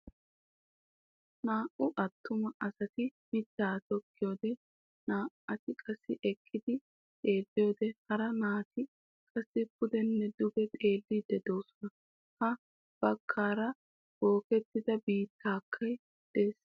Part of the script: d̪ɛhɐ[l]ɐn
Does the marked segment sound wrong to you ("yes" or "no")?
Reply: yes